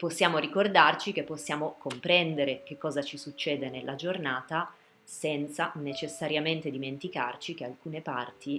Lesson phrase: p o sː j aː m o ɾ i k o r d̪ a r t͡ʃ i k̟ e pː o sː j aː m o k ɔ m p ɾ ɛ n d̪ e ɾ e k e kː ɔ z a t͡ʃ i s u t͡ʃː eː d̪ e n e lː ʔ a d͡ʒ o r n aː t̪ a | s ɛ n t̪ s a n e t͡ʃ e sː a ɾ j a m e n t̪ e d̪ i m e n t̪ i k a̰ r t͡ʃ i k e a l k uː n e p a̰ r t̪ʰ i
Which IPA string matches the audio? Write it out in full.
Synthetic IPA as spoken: p o sː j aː m o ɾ i k o r d̪ a r t͡ʃ i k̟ e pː o sː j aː m o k o m p ɾ ɛ n d̪ e ɾ e k e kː ɔː z a t͡ʃ i s u t͡ʃː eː d̪ e n e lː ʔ a d͡ʒ o r n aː t̪ a | s ɛ n t̪ s a n e t͡ʃ e sː a ɾ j a m e n t̪ e d̪ i m e n t̪ i k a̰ r t͡ʃ i k e a l k uː n e p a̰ r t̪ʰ i